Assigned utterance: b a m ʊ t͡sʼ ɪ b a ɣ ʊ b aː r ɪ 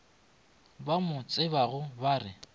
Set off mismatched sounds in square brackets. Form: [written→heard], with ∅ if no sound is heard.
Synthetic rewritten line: b a m ʊ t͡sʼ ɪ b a ɣ ʊ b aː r ɪ